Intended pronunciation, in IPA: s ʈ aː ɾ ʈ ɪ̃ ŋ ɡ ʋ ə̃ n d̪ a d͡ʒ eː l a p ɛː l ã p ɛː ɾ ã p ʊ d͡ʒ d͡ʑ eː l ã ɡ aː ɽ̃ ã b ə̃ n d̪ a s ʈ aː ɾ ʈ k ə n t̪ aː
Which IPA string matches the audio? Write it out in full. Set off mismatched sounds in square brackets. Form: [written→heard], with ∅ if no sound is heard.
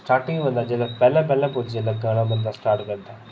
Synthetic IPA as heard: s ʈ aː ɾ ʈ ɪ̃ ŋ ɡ ʋ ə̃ n d̪ a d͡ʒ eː l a p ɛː l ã p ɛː [ɾ→l] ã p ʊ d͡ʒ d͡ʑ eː l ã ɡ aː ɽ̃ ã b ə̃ n d̪ a s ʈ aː ɾ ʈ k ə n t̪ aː